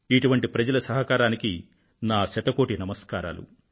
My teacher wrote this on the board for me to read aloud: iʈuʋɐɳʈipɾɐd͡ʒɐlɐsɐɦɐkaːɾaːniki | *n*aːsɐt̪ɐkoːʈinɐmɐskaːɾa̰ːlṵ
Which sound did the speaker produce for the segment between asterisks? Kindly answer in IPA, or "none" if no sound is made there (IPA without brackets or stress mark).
n